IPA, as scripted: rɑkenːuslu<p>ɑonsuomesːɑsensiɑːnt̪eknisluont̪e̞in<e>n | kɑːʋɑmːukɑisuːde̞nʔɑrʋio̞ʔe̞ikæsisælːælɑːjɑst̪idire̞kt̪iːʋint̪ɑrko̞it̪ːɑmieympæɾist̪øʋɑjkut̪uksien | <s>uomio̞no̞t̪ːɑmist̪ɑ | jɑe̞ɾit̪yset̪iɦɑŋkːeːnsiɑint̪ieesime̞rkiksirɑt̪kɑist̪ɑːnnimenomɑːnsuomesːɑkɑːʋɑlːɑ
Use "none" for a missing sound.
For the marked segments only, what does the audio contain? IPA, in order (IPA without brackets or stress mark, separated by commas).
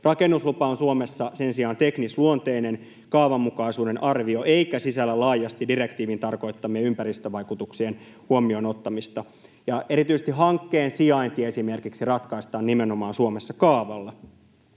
p, e, h